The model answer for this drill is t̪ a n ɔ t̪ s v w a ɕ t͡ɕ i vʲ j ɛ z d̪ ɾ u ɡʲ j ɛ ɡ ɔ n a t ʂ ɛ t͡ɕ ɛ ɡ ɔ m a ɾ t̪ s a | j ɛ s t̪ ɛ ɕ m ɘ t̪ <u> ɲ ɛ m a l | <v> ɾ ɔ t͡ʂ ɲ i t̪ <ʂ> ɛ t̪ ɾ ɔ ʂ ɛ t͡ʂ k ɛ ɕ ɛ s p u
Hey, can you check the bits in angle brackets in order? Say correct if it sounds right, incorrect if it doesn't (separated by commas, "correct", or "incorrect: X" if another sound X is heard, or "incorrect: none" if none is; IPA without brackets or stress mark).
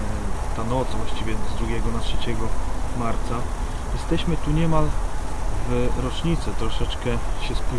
correct, correct, incorrect: s